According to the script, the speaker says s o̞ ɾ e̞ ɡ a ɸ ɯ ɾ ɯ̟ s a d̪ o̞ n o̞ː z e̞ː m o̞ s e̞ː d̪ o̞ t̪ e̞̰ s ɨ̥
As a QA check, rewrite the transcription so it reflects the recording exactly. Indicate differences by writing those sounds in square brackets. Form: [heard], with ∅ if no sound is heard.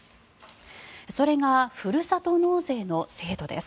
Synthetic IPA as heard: s o̞ ɾ e̞ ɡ a ɸ ɯ ɾ ɯ̟ s a [t̪] o̞ n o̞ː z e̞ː [n] o̞ s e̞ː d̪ o̞ [d̪] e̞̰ s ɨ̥